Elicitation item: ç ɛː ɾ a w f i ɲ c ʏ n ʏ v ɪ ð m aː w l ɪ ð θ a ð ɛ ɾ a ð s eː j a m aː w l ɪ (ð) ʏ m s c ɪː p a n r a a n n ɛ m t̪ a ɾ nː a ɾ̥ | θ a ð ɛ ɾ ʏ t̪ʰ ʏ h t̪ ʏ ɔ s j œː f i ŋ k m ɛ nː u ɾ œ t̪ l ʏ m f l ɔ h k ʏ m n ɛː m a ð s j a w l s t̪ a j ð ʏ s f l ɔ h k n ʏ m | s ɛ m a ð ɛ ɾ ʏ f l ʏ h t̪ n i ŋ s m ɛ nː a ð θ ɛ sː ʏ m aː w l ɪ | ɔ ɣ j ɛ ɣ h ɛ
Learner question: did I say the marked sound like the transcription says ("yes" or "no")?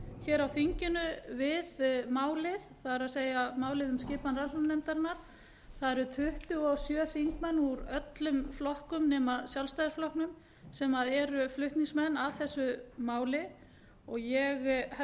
yes